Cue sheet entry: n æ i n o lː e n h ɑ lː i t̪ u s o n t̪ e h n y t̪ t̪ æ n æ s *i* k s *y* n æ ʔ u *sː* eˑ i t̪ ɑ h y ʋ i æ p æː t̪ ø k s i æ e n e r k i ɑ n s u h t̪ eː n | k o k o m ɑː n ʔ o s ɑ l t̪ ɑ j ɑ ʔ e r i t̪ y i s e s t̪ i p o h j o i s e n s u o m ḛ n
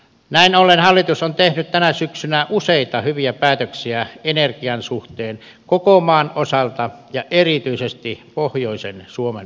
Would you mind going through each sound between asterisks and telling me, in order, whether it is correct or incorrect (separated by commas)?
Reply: incorrect, correct, incorrect